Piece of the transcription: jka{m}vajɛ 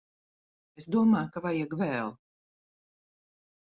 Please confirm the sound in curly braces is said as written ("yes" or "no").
no